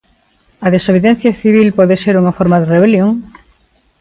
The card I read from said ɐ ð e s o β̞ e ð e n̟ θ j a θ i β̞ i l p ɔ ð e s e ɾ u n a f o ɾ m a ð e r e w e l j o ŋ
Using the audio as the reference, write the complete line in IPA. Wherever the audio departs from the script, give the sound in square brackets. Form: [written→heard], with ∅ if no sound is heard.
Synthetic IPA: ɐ ð e s o β̞ e ð e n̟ θ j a θ i β̞ i l p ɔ ð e s e ɾ u [n→ŋ] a f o ɾ m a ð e r e [w→β] e l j o ŋ